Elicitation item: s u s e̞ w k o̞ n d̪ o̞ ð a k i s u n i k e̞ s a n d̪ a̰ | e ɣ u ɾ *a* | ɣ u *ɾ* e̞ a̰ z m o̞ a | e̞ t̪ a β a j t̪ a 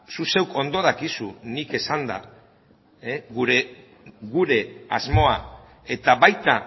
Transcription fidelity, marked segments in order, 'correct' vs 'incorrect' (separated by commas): incorrect, correct